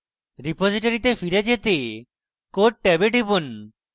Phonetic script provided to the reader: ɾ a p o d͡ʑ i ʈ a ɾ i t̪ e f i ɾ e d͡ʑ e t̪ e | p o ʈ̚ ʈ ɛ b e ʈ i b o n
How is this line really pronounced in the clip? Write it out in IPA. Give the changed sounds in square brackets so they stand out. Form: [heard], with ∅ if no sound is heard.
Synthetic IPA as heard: ɾ [i] p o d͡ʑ i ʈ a ɾ i t̪ e f i ɾ e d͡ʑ e t̪ e | [k] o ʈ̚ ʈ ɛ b e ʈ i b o n